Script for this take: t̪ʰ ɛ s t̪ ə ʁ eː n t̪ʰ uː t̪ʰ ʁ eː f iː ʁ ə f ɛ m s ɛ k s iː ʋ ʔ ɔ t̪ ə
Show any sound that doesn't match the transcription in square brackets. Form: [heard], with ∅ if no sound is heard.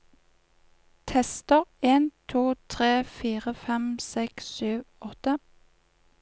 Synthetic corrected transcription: t̪ʰ ɛ s t̪ ə ʁ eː n t̪ʰ uː t̪ʰ ʁ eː f iː ʁ ə f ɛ m s ɛ k s [yː] ʋ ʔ ɔ t̪ ə